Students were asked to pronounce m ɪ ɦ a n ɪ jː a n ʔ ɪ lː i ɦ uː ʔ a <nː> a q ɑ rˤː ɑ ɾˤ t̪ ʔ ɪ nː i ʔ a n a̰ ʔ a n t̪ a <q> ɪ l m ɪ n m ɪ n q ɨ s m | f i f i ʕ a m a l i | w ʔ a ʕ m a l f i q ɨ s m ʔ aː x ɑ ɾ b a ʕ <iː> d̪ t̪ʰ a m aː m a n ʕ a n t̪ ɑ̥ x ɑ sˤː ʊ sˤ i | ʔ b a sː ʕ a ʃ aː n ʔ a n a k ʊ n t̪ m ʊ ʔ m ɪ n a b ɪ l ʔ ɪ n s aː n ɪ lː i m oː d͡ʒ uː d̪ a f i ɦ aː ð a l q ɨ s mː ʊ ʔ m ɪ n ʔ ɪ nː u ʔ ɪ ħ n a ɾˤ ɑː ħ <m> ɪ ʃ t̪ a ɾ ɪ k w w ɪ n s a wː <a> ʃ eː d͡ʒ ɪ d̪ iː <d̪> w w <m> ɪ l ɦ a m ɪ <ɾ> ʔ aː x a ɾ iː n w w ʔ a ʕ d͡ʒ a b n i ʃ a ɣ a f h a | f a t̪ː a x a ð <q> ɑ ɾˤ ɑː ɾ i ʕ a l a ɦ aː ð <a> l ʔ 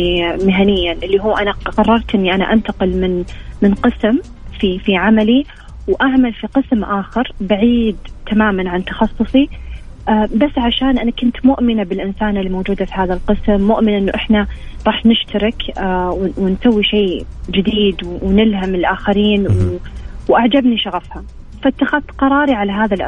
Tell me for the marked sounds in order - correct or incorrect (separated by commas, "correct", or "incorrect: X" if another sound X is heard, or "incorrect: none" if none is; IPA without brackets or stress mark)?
incorrect: n, correct, correct, incorrect: n, incorrect: i, correct, incorrect: n, incorrect: l, correct, correct